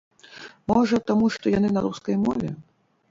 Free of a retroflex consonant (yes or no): no